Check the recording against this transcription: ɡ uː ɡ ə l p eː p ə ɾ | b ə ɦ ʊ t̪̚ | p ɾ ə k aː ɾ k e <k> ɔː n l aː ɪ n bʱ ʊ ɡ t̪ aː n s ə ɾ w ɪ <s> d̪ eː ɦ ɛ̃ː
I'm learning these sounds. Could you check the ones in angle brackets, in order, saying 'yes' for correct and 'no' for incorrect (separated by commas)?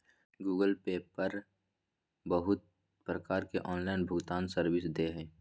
no, yes